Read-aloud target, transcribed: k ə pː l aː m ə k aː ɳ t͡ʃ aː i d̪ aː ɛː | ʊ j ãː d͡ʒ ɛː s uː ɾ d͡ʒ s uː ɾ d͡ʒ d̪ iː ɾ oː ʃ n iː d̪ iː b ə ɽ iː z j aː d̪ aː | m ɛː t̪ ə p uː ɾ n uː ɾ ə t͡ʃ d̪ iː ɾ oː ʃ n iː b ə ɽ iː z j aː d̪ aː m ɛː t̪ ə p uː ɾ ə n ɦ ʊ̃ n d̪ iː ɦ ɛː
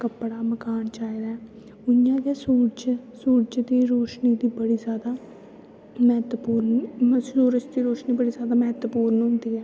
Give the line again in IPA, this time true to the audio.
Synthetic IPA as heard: k ə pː ɽ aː m ə k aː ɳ t͡ʃ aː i d̪ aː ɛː | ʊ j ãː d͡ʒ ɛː s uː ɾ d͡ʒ s uː ɾ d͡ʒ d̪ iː ɾ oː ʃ n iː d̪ iː b ə ɽ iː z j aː d̪ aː | m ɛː t̪ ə p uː ɾ n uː ɾ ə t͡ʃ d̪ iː ɾ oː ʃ n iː b ə ɽ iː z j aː d̪ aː m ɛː t̪ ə p uː ɾ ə n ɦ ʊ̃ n d̪ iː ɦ ɛː